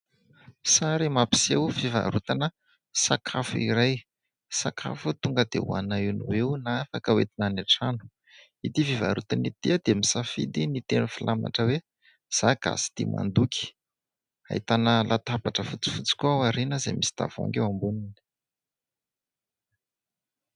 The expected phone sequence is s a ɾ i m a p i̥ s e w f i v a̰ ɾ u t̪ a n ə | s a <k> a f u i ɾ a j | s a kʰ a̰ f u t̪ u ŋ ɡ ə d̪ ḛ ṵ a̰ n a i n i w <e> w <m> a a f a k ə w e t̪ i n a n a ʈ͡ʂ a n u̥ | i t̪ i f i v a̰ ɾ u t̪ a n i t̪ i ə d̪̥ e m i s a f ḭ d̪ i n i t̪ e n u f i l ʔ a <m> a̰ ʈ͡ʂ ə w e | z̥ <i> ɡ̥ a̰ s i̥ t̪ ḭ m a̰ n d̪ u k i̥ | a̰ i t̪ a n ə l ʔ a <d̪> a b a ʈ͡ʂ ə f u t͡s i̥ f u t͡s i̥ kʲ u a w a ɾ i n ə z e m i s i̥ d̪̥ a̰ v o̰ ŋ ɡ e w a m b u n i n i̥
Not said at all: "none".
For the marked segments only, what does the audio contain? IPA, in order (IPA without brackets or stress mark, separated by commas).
kʰ, e, n, m, a, t̪